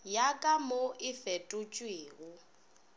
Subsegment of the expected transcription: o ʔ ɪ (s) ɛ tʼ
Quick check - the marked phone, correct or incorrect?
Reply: incorrect: f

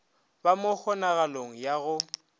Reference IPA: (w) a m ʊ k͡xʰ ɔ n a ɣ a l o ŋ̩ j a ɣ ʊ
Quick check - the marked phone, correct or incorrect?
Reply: incorrect: b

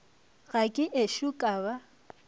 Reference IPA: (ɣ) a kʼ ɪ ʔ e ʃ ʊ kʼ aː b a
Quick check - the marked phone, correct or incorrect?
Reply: correct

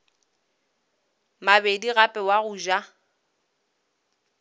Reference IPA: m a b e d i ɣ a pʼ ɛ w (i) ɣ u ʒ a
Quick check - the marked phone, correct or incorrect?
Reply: incorrect: a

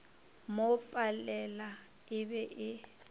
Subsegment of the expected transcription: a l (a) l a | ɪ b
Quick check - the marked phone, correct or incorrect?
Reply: incorrect: ɛ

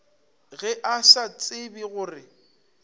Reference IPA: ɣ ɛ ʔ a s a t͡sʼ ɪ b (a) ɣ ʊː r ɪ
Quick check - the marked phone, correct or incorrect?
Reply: incorrect: i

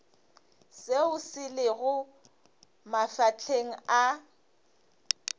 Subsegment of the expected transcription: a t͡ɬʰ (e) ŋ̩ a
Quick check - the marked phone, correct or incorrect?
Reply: correct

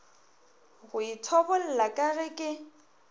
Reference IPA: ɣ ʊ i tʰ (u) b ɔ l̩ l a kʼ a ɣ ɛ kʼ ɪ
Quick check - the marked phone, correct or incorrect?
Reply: incorrect: ɔ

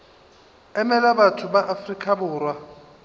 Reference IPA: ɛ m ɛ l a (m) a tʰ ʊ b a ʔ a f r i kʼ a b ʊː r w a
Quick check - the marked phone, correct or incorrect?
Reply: incorrect: b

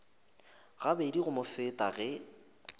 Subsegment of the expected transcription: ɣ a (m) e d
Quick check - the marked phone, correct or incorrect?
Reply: incorrect: b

